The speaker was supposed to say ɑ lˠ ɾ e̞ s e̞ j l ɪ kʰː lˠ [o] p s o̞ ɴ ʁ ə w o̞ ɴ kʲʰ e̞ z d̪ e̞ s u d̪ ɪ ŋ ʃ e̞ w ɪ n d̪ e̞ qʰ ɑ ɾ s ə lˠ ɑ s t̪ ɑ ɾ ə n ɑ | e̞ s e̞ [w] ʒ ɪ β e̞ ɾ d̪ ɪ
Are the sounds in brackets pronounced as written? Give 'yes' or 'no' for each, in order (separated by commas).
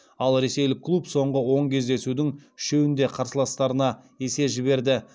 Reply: no, no